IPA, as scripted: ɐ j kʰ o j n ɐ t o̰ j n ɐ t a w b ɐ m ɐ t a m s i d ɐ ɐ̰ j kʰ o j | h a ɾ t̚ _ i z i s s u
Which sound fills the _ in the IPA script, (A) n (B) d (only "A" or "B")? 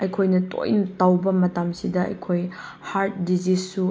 B